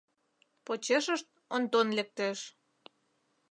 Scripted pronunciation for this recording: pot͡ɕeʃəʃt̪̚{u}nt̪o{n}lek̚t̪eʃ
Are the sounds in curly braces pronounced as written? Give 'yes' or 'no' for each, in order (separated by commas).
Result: no, yes